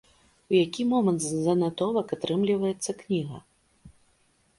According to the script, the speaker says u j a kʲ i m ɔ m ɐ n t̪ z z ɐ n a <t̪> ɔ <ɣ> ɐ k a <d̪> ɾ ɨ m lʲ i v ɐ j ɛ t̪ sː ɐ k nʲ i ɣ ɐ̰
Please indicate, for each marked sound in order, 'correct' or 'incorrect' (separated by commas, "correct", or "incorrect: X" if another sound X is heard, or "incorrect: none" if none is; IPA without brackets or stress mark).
correct, incorrect: v, incorrect: t̪